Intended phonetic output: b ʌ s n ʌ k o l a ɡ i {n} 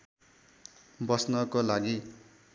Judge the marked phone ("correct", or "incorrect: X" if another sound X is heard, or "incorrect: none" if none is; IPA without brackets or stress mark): incorrect: none